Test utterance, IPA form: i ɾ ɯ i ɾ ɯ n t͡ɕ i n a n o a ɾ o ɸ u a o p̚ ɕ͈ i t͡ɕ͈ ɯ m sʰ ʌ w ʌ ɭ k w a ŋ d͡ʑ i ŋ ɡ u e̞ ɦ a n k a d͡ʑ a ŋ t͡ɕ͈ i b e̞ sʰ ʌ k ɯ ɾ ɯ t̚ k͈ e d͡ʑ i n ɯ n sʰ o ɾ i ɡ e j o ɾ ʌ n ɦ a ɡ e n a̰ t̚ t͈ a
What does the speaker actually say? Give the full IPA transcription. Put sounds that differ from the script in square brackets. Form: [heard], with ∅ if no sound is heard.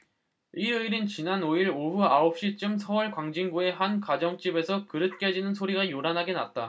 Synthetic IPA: i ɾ ɯ i ɾ ɯ n t͡ɕ i n a n o [i] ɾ o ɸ u a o p̚ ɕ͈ i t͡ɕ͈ ɯ m sʰ ʌ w ʌ ɭ k w a ŋ d͡ʑ i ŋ ɡ u e̞ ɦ a n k a d͡ʑ [ʌ] ŋ t͡ɕ͈ i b e̞ sʰ ʌ k ɯ ɾ ɯ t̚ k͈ e d͡ʑ i n ɯ n sʰ o ɾ i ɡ [a] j o ɾ [a] n ɦ a ɡ e n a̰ t̚ t͈ a